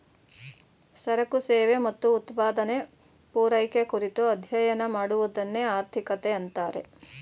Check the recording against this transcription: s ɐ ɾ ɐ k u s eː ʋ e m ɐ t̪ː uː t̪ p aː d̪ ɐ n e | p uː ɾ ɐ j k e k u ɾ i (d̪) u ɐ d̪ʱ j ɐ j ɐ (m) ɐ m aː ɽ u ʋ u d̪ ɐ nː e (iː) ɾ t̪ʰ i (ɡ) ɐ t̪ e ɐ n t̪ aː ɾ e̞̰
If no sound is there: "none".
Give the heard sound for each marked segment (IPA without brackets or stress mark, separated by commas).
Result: t̪, n, aː, k